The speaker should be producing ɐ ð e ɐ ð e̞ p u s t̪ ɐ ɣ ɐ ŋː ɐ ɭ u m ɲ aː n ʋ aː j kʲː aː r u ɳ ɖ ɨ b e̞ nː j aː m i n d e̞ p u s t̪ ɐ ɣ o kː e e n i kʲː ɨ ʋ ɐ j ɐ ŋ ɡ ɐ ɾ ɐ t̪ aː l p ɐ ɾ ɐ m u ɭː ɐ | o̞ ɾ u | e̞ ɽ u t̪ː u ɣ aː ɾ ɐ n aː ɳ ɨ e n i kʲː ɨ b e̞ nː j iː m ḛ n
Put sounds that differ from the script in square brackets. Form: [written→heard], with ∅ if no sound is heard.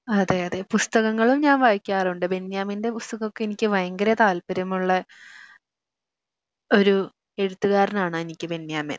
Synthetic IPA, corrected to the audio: ɐ ð e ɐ ð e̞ p u s t̪ ɐ ɣ ɐ ŋː ɐ ɭ u m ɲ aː n ʋ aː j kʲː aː r u ɳ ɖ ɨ b e̞ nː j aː m i n d e̞ p u s t̪ ɐ ɣ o kː e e n i kʲː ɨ ʋ ɐ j ɐ ŋ ɡ ɐ ɾ ɐ t̪ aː l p ɐ ɾ ɐ m u ɭː ɐ | o̞ ɾ u | e̞ ɽ u t̪ː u ɣ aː ɾ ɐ n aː ɳ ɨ e n i kʲː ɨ b e̞ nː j [iː→aː] m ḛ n